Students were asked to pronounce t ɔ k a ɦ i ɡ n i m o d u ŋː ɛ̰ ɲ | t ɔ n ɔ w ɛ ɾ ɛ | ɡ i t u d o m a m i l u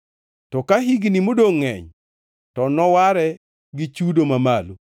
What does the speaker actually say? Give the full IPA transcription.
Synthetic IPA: t ɔ k a ɦ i ɡ n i m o d o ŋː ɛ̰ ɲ | t ɔ n ɔ w a ɾ ɛ | ɡ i t͡ʃ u d o m a m a l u